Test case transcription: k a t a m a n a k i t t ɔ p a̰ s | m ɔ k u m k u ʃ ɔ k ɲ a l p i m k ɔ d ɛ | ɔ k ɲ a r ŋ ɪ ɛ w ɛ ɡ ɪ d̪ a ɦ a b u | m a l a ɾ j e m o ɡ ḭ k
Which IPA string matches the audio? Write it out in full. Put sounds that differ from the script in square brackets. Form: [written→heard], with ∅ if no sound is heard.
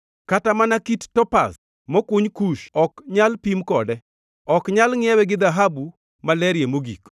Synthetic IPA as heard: k a t a m a n a k i t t ɔ p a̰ s | m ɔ k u [m→ɲ] k u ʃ ɔ k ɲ a l p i m k ɔ d ɛ | ɔ k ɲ a [r→l] ŋ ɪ ɛ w ɛ ɡ ɪ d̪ a ɦ a b u | m a l [a→ɛ] ɾ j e m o ɡ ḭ k